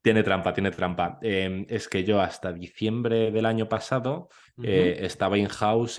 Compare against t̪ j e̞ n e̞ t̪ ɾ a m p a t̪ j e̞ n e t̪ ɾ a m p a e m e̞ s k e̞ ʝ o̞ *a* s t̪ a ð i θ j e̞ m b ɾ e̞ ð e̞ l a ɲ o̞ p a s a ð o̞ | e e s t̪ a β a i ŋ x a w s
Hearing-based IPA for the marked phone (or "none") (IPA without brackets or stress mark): a